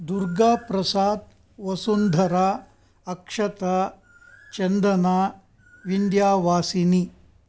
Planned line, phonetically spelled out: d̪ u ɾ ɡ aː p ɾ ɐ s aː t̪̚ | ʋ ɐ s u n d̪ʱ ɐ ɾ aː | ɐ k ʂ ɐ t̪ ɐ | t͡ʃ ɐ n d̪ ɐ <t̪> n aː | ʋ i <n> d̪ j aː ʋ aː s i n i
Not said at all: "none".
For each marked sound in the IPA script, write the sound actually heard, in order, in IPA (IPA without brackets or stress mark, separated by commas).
none, n